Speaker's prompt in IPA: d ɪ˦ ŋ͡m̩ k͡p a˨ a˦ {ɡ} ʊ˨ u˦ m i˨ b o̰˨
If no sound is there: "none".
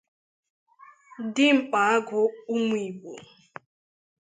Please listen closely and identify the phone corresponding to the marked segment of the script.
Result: ɡ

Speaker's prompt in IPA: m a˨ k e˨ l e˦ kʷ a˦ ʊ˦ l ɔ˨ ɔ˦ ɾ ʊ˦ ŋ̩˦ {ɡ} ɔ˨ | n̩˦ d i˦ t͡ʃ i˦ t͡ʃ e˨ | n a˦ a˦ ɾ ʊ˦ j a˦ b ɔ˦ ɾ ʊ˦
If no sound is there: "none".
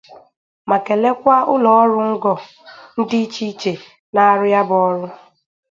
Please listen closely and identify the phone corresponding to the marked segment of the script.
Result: ɡ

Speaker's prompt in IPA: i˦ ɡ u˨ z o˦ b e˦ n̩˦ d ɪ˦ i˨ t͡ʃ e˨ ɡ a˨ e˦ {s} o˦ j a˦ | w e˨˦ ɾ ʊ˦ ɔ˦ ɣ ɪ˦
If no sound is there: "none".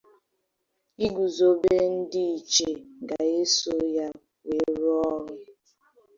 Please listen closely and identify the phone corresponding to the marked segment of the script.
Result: s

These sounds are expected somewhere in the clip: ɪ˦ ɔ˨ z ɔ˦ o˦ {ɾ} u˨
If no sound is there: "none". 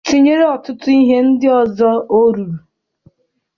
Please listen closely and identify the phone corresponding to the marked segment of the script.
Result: ɾ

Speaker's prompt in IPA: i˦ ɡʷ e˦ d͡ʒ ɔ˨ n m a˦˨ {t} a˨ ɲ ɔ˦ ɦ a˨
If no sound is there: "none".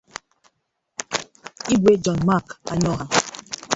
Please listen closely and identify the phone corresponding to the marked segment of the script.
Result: k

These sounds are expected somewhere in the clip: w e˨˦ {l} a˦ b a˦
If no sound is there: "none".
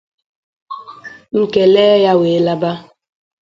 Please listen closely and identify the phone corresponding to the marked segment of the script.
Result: l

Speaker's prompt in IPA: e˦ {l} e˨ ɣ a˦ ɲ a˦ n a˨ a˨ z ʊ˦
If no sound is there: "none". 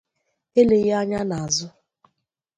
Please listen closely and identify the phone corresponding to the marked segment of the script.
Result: l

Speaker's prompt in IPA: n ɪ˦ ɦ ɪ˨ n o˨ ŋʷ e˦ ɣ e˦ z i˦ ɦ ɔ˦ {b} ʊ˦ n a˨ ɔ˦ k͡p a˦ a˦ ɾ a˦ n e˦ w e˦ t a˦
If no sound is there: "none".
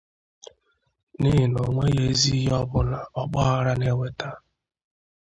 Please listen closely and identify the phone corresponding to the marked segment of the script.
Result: b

